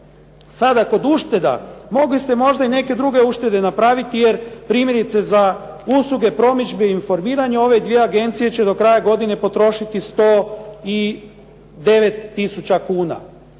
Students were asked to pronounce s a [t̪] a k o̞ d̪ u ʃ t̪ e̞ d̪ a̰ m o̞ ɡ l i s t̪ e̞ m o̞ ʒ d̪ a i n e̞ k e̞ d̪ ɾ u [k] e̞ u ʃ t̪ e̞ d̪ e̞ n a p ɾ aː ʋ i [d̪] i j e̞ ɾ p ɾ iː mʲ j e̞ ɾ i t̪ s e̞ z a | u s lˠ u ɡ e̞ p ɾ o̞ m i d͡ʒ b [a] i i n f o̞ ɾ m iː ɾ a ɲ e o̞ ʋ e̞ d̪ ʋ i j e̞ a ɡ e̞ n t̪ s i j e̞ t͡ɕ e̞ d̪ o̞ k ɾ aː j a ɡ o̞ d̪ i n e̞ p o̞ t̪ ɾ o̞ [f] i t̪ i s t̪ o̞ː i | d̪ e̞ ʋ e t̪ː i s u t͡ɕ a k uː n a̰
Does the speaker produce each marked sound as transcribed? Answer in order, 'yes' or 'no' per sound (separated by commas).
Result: no, no, no, no, no